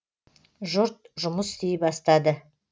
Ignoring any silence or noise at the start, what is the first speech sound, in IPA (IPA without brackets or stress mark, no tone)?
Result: ʒ